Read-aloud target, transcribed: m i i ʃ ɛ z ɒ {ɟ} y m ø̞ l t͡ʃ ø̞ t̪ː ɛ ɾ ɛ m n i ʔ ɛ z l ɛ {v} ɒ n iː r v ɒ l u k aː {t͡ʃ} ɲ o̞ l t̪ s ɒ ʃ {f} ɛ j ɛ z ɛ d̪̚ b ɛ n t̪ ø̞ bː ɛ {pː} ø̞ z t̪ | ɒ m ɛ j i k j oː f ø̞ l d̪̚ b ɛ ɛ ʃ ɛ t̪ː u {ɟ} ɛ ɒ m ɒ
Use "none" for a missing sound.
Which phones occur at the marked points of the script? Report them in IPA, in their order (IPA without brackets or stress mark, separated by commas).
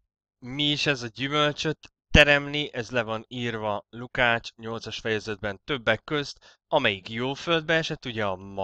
ɟ, v, t͡ʃ, f, kː, ɟ